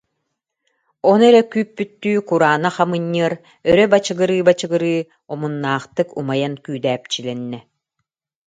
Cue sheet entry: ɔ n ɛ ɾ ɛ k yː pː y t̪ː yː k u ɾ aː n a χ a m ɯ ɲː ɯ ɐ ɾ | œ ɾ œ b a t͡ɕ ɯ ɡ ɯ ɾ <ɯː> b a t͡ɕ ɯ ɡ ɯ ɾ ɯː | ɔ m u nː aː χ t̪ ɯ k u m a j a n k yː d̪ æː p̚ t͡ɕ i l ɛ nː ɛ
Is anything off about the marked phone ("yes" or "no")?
no